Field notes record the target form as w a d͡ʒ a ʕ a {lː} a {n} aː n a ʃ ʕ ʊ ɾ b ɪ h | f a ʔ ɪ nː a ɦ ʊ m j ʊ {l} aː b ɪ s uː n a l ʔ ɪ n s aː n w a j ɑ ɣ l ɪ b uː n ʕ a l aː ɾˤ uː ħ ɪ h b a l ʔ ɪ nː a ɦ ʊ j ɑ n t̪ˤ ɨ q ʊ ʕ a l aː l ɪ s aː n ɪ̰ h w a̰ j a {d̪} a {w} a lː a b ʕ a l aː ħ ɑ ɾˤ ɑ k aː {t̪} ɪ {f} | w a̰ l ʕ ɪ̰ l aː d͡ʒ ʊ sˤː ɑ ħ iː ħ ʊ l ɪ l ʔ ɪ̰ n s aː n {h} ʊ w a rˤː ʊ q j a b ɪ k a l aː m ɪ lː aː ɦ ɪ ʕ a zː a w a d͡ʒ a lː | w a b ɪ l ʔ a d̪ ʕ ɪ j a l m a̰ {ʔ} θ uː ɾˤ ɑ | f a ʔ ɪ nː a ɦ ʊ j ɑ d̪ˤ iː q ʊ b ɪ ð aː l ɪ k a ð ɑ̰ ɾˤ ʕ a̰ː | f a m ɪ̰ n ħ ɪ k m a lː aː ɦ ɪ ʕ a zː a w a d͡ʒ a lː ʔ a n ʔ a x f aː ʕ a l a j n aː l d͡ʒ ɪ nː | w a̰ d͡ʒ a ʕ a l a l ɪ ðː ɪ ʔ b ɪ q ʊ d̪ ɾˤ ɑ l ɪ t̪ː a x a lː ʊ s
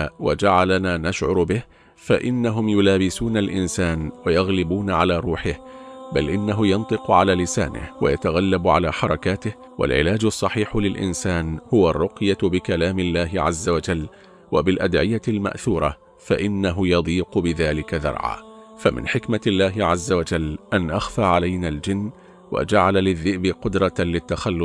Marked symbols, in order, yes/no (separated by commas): no, yes, yes, no, no, yes, no, yes, yes